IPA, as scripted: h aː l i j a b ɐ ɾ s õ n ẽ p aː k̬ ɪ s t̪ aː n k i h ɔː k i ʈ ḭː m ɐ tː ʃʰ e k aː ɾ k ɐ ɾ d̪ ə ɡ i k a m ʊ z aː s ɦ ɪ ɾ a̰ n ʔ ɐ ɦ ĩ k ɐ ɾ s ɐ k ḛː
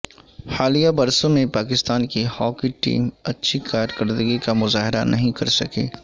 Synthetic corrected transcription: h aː l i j a b ɐ ɾ s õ m ẽ p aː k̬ ɪ s t̪ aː n k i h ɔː k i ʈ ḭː m ɐ tː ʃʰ i k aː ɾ k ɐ ɾ d̪ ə ɡ i k a m ʊ z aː ɦ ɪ ɾ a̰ n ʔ ɐ ɦ ĩ k ɐ ɾ s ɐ k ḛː